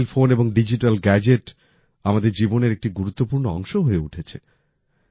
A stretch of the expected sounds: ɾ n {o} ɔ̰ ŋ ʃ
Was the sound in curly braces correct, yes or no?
yes